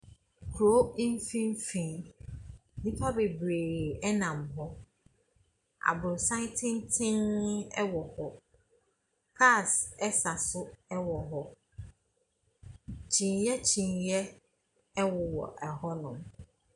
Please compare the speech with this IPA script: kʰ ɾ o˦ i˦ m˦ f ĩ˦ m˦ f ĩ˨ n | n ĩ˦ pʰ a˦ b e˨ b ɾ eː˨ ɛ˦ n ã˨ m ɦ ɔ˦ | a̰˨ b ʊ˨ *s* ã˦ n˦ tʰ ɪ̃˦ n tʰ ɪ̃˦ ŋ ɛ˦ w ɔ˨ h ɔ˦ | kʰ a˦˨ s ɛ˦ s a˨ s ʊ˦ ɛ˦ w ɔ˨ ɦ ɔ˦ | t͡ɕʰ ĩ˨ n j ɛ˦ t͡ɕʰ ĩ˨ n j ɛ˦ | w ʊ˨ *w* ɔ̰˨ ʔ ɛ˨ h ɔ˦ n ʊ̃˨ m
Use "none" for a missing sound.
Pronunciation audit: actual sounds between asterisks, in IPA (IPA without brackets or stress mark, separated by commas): s, w